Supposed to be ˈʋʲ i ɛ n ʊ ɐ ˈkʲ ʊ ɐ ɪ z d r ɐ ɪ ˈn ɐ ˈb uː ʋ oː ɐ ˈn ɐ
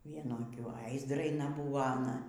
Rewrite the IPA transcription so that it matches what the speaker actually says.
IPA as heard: ˈʋʲ i ɛ n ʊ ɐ ˈkʲ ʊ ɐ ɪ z d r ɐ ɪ ˈn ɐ ˈb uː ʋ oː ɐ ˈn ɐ